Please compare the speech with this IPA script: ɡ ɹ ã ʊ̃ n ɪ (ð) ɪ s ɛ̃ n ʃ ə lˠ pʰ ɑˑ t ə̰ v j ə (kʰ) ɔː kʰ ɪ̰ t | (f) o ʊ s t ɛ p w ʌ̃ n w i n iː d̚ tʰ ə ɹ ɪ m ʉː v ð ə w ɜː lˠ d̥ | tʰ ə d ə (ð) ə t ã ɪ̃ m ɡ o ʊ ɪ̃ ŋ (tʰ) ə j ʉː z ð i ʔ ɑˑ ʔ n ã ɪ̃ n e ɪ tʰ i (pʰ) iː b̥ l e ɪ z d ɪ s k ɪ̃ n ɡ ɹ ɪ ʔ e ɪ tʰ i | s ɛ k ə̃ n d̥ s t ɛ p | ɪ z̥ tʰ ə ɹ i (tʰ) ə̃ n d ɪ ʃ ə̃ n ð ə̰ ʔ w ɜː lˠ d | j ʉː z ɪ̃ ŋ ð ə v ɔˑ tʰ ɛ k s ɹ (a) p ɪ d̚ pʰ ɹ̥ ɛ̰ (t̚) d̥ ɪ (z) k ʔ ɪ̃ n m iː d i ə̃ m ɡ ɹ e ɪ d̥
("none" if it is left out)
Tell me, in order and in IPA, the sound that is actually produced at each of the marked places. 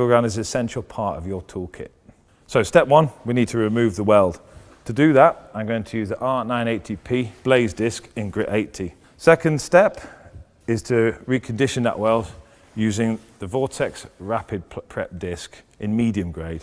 z, tʰ, s, ð, tʰ, pʰ, kʰ, a, p̚, s

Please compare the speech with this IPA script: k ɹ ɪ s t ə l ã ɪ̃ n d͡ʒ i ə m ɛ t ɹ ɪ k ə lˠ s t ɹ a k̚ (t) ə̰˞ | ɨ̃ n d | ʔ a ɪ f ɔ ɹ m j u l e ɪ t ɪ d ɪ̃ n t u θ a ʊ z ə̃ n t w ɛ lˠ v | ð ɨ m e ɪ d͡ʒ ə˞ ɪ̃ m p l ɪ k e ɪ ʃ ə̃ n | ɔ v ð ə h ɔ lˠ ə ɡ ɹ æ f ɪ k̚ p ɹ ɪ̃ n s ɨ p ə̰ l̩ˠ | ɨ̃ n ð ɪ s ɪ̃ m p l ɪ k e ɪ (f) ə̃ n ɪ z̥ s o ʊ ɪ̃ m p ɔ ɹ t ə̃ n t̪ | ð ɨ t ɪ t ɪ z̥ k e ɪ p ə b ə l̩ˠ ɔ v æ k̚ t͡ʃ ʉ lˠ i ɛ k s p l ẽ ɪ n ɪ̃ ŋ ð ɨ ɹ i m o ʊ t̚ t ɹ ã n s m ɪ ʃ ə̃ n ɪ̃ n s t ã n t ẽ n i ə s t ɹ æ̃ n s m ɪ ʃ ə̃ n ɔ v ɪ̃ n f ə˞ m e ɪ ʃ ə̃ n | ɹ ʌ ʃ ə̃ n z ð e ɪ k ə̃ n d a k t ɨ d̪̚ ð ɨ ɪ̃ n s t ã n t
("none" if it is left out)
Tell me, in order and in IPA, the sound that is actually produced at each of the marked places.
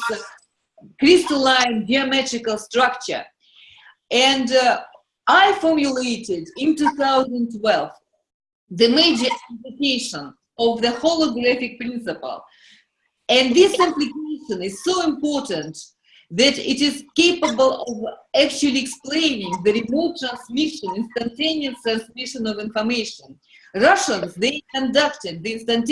t͡ʃ, ʃ

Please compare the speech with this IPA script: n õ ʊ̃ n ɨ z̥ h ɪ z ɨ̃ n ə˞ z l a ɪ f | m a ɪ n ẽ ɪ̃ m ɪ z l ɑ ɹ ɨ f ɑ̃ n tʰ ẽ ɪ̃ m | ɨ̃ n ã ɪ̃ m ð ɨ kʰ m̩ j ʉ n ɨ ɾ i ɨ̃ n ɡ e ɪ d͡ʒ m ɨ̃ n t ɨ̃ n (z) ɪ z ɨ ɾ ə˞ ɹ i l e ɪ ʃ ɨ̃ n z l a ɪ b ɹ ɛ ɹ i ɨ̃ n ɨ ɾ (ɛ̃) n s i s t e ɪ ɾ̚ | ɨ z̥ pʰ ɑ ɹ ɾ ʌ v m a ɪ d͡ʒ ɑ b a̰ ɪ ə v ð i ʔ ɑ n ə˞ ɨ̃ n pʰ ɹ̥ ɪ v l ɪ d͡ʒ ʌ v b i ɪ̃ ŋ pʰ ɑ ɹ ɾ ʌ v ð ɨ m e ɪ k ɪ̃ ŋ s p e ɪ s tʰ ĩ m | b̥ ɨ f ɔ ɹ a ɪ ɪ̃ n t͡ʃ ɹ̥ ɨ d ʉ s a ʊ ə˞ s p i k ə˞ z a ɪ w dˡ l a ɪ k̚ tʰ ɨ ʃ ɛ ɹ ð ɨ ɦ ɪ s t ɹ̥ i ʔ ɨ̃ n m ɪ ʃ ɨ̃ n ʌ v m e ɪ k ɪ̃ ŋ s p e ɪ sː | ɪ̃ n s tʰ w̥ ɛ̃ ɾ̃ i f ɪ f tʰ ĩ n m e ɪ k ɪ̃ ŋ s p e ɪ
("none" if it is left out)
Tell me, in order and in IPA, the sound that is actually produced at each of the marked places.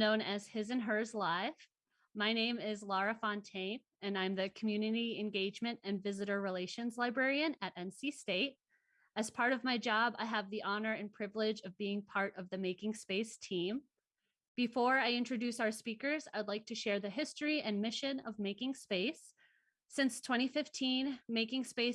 v, ɛ̃

